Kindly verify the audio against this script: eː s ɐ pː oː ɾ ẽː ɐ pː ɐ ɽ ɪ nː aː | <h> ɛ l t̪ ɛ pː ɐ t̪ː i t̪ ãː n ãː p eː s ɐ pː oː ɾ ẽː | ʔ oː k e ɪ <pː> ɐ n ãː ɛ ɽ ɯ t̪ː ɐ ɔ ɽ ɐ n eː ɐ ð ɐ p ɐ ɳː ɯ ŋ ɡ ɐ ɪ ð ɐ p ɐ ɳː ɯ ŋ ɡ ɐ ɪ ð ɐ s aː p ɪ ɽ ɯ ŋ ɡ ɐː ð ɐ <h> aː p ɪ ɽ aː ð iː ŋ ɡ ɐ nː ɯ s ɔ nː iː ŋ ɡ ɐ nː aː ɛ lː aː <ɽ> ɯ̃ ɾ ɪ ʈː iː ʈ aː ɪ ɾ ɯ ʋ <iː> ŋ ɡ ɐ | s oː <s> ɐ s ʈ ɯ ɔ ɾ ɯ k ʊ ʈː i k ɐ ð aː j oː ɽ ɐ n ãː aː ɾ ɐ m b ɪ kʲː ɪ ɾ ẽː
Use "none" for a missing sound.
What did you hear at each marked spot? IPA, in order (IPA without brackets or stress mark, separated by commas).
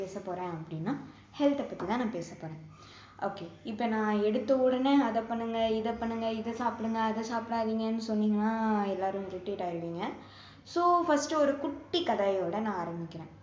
h, pː, s, ɾ, iː, f